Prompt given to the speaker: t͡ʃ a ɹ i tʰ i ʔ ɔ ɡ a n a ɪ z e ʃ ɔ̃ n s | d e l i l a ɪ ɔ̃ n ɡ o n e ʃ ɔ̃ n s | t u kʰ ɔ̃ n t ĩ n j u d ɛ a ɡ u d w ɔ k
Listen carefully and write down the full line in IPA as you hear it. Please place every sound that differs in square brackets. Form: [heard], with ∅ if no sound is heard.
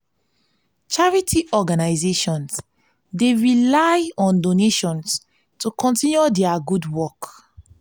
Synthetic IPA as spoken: t͡ʃ a ɹ i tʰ i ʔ ɔ ɡ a n a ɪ z e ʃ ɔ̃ n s | d e [ɹ] i l a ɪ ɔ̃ n [d] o n e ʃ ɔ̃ n s | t u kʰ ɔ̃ n t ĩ n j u d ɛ a ɡ u d w ɔ k